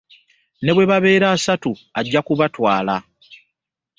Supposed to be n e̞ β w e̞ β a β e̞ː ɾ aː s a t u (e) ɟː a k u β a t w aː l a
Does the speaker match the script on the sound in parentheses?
no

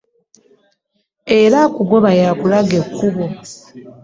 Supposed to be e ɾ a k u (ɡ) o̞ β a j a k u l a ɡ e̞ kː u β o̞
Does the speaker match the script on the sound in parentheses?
yes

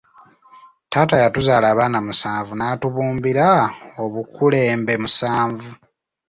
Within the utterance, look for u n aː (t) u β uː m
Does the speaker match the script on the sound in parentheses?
yes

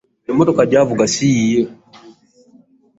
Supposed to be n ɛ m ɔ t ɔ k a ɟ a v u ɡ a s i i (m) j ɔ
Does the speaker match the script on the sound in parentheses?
no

